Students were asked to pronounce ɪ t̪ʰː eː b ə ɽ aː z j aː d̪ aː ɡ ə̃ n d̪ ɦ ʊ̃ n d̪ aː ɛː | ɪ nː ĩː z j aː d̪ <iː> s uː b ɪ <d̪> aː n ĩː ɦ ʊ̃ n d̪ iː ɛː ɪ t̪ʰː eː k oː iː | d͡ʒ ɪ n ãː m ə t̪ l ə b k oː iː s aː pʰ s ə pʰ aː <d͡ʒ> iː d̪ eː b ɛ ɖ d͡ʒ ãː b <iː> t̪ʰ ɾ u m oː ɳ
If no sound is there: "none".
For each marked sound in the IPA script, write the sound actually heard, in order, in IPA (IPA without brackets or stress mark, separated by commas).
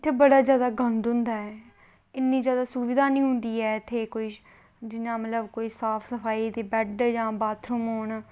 aː, d̪, none, aː